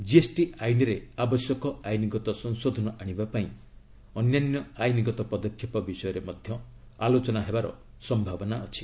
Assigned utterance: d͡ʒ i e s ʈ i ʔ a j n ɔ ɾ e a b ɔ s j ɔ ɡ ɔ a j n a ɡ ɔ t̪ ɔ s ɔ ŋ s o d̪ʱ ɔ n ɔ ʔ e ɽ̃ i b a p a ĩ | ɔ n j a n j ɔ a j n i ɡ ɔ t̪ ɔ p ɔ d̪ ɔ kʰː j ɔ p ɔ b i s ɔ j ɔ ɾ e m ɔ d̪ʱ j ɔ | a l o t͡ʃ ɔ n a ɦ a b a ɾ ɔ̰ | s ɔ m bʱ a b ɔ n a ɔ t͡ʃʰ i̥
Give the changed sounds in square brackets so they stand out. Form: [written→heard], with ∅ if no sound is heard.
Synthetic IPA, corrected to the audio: d͡ʒ i e s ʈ i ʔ a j n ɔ ɾ e a b ɔ s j ɔ [ɡ→k] ɔ a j n [a→i] ɡ ɔ t̪ ɔ s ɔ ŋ s o d̪ʱ ɔ n ɔ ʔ [e→a] ɽ̃ i b a p a ĩ | ɔ n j a n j ɔ a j n i ɡ ɔ t̪ ɔ p ɔ d̪ ɔ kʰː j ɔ p ɔ b i s ɔ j ɔ ɾ e m ɔ d̪ʱ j ɔ | a l o t͡ʃ ɔ n a ɦ [a→e] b a ɾ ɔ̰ | s ɔ m bʱ a b ɔ n a ɔ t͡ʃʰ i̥